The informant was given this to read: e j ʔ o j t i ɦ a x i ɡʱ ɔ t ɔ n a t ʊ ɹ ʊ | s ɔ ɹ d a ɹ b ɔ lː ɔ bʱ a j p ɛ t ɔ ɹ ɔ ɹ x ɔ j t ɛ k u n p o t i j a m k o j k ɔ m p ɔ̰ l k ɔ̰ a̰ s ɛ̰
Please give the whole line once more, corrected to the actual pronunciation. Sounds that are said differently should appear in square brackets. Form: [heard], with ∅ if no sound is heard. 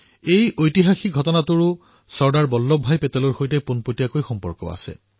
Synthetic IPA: e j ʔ o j t i ɦ a x i ɡʱ ɔ t ɔ n a t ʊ ɹ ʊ | s ɔ ɹ d a ɹ b ɔ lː ɔ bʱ a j p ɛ t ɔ [l] ɔ ɹ x [o] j t ɛ [p] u n p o t i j a [∅] k o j [x] ɔ m p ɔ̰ [ɹ] k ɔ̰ a̰ s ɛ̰